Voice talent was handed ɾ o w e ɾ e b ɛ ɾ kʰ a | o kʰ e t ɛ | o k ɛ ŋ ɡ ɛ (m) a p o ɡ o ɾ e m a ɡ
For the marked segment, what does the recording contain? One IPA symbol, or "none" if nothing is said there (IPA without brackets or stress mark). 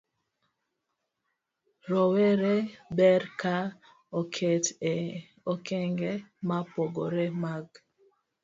m